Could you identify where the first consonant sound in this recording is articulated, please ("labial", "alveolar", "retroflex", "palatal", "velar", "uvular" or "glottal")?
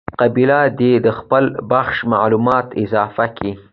uvular